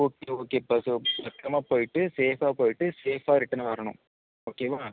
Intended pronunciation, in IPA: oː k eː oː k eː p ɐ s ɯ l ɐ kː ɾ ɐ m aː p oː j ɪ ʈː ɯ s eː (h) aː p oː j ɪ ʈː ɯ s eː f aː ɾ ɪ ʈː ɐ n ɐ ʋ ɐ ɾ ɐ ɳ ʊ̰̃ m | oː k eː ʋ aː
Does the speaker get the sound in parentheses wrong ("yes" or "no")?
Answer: yes